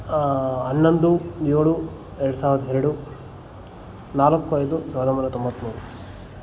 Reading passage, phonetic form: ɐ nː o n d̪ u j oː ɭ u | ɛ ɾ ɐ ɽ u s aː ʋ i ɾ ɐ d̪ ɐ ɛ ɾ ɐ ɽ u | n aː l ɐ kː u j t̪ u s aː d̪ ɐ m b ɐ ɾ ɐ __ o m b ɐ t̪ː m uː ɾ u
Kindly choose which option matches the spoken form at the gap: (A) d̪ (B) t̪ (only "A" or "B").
B